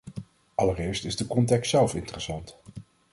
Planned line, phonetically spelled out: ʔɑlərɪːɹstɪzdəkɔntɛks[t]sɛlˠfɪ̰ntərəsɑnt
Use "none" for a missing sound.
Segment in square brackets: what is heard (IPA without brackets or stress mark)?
t